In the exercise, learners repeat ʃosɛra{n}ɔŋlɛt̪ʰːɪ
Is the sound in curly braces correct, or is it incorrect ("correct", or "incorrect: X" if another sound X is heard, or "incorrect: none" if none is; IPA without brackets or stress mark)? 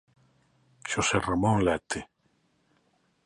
incorrect: m